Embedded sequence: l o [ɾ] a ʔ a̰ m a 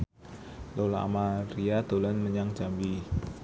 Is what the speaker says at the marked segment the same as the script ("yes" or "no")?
no